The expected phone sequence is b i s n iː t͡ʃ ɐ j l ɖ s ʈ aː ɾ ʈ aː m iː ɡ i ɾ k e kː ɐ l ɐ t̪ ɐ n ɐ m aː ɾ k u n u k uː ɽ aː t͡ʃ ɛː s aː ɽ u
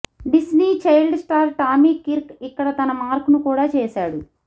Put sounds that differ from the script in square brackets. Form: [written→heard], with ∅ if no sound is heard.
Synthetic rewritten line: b i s n iː t͡ʃ ɐ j l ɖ s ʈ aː ɾ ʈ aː m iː [ɡ→k] i ɾ k [e→i] kː ɐ [l→ɽ] ɐ t̪ ɐ n ɐ m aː ɾ k u n u k uː ɽ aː t͡ʃ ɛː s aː ɽ u